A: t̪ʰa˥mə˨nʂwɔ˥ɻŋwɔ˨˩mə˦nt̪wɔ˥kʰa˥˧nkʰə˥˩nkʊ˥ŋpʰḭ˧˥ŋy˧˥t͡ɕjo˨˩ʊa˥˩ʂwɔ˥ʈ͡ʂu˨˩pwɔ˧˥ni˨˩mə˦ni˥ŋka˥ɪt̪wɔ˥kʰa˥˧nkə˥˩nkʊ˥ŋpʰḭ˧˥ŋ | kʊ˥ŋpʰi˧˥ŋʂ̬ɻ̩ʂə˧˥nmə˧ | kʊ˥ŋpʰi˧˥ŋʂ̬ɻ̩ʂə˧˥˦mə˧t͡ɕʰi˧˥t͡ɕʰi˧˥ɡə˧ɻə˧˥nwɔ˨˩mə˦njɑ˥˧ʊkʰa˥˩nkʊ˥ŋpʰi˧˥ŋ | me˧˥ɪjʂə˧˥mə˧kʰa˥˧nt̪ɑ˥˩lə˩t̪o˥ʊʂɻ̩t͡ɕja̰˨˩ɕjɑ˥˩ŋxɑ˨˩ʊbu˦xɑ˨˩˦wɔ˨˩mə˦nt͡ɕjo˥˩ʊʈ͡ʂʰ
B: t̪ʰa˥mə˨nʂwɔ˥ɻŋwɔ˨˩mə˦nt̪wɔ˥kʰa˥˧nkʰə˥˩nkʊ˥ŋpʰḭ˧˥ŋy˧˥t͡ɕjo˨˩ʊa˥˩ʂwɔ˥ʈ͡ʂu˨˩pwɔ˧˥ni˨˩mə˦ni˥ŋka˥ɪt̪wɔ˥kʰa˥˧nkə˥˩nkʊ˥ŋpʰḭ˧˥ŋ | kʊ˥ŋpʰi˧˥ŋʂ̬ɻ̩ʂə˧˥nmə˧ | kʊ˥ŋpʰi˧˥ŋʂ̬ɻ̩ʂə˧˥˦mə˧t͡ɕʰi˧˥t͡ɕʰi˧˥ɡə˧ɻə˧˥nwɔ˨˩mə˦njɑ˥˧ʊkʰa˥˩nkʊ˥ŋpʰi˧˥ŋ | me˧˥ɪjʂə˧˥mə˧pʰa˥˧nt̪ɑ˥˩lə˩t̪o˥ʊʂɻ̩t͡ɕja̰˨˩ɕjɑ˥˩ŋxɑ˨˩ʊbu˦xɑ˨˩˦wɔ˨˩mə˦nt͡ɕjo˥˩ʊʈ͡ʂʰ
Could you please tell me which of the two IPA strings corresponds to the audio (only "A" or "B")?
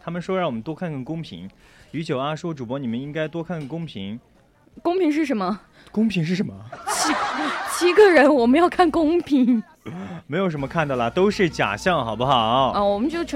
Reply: A